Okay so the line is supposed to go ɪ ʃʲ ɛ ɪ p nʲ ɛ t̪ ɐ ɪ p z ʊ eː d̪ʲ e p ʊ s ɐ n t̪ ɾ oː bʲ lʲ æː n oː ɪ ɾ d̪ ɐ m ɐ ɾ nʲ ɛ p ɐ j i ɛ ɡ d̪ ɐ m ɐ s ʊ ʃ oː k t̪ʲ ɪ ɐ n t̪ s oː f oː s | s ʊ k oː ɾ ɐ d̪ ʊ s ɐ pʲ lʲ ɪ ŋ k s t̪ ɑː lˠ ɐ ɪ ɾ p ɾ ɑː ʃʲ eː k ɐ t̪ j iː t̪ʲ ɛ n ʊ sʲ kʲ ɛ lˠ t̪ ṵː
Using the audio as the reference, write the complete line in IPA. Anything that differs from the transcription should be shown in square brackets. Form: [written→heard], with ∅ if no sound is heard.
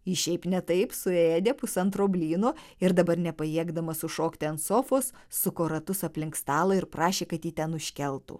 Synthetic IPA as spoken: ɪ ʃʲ ɛ ɪ p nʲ ɛ t̪ ɐ ɪ p [z→s] ʊ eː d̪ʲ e p ʊ s ɐ n t̪ ɾ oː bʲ lʲ [æː→iː] n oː ɪ ɾ d̪ ɐ [m→b] ɐ ɾ nʲ ɛ p ɐ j i ɛ ɡ d̪ ɐ m ɐ s ʊ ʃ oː k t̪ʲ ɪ ɐ n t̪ s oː f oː s | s ʊ k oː ɾ ɐ [d̪→t̪] ʊ s ɐ pʲ lʲ ɪ ŋ k s t̪ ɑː lˠ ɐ ɪ ɾ p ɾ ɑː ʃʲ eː k ɐ t̪ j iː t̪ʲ ɛ n ʊ [sʲ→ʃʲ] kʲ ɛ lˠ t̪ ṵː